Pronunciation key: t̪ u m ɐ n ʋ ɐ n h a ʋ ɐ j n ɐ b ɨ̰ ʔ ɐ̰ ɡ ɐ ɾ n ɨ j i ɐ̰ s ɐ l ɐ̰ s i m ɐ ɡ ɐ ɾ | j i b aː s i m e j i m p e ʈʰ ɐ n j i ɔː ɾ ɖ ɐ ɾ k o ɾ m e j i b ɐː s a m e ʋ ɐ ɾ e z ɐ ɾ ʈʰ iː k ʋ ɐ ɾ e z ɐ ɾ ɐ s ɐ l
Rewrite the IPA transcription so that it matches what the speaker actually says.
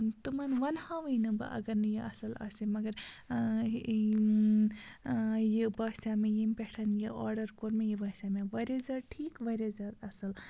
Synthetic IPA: t̪ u m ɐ n ʋ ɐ n h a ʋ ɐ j n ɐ b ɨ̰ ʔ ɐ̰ ɡ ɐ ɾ n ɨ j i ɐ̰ s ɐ l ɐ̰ s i m ɐ ɡ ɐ ɾ | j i b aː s a m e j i m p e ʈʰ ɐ n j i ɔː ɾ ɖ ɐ ɾ k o ɾ m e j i b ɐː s a m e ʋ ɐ ɾ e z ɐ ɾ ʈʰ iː k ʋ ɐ ɾ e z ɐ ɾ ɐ s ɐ l

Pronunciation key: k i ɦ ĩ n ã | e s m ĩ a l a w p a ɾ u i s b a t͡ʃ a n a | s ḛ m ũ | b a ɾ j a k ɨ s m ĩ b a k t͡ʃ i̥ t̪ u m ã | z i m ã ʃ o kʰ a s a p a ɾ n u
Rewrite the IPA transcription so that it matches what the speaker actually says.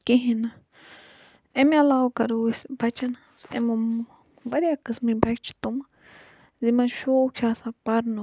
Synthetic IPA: k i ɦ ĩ n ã | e m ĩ a l a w k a ɾ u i s b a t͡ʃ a n a | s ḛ m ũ | b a ɾ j a k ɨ s m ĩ b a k t͡ʃ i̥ t̪ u m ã | z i m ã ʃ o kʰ a s a p a ɾ n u

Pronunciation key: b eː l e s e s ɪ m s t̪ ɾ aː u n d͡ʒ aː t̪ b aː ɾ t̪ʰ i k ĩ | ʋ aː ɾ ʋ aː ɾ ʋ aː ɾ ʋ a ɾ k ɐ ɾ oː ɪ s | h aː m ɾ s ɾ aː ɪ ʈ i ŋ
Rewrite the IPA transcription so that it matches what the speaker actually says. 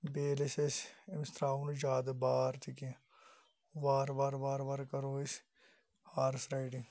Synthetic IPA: b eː l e s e s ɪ m s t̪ ɾ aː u n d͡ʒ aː d̪ b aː ɾ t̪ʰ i k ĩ | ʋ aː ɾ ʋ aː ɾ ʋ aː ɾ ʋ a ɾ k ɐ ɾ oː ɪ s | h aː ɾ s ɾ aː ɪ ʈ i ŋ

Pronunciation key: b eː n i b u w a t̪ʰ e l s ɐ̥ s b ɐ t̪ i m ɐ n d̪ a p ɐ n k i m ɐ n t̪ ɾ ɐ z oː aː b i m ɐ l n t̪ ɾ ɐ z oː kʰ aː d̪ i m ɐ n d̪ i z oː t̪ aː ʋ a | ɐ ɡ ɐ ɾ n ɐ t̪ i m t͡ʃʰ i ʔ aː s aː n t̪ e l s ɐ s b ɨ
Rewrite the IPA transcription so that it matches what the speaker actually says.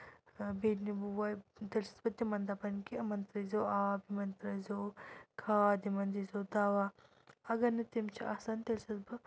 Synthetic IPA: b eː n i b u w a t̪ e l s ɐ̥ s b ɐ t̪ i m ɐ n d̪ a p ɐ n k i m ɐ n t̪ ɾ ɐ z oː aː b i m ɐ n t̪ ɾ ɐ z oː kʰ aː d̪ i m ɐ n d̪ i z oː d̪ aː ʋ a | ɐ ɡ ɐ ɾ n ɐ t̪ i m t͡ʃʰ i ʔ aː s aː n t̪ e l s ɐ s b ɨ

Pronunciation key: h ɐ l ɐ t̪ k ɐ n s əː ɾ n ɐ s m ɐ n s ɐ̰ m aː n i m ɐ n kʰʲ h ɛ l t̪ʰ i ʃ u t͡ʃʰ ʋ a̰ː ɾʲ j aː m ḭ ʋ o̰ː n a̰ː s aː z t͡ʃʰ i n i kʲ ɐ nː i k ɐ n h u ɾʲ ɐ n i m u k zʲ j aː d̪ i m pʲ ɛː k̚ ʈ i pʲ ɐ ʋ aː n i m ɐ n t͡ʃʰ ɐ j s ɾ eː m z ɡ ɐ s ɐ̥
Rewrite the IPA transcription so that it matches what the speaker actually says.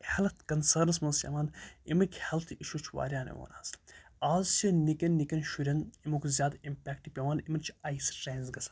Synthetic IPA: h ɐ l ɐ t̪ k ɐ n s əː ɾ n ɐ s m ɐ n s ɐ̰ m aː n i m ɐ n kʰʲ h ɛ l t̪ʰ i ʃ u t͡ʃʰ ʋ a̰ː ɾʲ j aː n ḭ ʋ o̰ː n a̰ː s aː z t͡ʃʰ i n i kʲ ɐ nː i k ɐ n ʃ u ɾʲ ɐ n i m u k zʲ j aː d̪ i m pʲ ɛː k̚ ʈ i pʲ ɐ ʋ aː n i m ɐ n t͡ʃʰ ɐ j s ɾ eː n z ɡ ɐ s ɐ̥

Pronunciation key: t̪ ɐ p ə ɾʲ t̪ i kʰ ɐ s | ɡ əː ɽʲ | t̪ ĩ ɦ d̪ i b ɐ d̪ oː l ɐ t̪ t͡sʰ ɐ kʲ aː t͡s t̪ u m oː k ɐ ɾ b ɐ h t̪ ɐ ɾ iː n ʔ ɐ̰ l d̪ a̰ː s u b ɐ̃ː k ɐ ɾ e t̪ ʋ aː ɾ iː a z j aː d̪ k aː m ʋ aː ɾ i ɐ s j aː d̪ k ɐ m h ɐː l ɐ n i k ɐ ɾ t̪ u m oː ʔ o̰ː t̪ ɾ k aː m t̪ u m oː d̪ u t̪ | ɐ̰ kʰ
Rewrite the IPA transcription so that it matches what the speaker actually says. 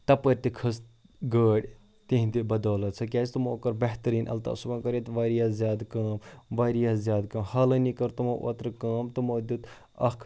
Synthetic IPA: t̪ ɐ p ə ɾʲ t̪ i kʰ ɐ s | ɡ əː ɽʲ | t̪ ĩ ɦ d̪ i b ɐ d̪ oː l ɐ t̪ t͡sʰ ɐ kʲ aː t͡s t̪ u m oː k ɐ ɾ b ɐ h t̪ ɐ ɾ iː n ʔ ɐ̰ l t̪ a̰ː s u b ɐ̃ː k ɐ ɾ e t̪ ʋ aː ɾ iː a z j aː d̪ k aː m ʋ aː ɾ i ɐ z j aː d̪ k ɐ m h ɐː l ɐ n i k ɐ ɾ t̪ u m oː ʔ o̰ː t̪ ɾ k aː m t̪ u m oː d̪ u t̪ | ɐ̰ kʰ

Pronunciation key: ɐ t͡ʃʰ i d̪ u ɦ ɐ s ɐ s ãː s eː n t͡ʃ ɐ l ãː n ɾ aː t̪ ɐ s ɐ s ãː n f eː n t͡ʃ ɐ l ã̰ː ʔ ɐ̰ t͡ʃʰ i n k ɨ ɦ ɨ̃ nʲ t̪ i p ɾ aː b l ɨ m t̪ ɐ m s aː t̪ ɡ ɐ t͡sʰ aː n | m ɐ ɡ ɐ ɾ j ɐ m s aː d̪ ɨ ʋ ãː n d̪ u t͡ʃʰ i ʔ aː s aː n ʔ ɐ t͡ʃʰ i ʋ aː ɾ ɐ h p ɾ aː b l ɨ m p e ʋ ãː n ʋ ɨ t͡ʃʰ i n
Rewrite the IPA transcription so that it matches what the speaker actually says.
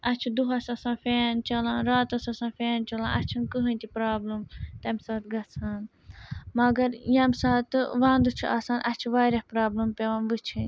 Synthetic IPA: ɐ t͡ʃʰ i d̪ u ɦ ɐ s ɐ s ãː f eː n t͡ʃ ɐ l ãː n ɾ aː t̪ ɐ s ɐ s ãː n f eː n t͡ʃ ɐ l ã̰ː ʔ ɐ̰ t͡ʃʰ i n k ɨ ɦ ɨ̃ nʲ t̪ i p ɾ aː b l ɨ m t̪ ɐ m s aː t̪ ɡ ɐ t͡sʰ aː n | m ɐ ɡ ɐ ɾ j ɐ m s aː t̪ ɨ ʋ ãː n d̪ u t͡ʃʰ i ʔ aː s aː n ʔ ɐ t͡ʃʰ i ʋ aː ɾ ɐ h p ɾ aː b l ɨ m p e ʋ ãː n ʋ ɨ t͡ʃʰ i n

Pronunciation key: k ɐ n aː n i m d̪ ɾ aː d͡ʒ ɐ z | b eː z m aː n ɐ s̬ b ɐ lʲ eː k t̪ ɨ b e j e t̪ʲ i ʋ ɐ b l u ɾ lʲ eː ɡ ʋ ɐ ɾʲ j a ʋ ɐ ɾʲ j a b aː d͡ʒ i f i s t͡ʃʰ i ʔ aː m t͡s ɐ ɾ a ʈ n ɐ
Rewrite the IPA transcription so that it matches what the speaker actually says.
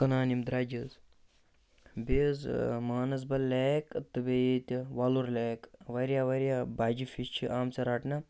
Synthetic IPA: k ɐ n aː n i m d̪ ɾ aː d͡ʒ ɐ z | b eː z m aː n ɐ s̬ b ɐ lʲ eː k t̪ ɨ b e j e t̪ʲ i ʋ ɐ l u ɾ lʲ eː k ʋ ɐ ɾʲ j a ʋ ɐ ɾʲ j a b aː d͡ʒ i f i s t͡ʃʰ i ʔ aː m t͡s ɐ ɾ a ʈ n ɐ

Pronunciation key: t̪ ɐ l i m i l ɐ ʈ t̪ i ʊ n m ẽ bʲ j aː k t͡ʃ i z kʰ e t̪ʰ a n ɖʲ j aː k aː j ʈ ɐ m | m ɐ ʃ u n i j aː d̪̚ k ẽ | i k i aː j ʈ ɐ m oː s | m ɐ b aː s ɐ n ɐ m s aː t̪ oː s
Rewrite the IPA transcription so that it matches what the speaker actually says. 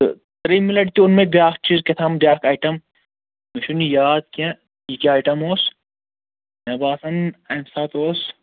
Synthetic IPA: t̪ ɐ ɾ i m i l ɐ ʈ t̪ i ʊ n m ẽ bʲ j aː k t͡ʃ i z k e t̪ʰ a m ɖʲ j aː k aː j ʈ ɐ m | m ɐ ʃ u n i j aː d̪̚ k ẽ | i k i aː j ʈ ɐ m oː s | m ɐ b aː s ɐ n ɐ m s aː t̪ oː s

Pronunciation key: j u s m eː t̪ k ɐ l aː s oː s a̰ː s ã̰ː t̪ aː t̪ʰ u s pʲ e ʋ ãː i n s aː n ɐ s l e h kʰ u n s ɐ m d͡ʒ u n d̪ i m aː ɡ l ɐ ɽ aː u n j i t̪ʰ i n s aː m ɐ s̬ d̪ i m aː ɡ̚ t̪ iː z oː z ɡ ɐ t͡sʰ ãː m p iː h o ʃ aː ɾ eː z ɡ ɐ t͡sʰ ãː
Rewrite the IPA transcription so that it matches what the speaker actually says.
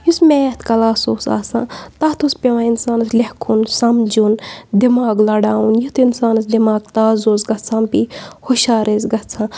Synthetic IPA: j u s m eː t̪ k ɐ l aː s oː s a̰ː s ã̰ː t̪ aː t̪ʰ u s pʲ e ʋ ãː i n s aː n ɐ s l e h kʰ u n s ɐ m d͡ʒ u n d̪ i m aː ɡ l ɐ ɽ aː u n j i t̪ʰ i n s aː n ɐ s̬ d̪ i m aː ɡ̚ t̪ aː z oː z ɡ ɐ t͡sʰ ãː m p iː h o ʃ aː ɾ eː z ɡ ɐ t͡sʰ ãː

